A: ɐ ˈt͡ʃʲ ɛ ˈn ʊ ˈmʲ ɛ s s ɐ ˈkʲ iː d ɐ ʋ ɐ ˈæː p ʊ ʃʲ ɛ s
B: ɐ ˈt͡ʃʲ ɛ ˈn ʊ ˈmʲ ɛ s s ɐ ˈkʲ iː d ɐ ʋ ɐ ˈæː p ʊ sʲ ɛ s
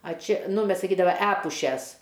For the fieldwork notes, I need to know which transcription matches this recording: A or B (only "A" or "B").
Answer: A